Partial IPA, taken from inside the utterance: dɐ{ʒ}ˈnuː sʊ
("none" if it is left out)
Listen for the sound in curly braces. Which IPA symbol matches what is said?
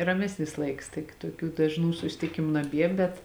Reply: ʒ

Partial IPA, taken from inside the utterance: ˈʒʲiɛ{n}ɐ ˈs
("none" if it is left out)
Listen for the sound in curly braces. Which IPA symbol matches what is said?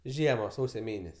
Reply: m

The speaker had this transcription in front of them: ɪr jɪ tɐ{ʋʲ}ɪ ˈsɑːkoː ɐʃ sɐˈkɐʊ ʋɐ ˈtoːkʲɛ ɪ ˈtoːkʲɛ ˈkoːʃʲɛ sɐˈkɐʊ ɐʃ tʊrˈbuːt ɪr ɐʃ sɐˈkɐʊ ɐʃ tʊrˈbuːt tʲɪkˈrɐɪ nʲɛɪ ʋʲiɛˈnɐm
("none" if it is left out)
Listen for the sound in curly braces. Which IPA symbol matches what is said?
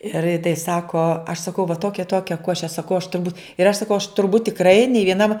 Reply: none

